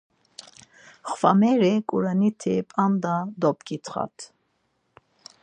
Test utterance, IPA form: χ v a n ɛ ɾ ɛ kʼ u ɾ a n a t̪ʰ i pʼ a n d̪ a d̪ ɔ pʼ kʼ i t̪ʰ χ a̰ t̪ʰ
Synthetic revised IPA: χ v a m ɛ ɾ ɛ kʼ u ɾ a n i t̪ʰ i pʼ a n d̪ a d̪ ɔ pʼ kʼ i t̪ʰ χ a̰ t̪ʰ